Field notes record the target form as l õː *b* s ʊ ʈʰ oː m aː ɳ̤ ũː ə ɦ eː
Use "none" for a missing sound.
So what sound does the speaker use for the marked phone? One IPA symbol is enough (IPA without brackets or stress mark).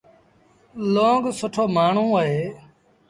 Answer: ɡ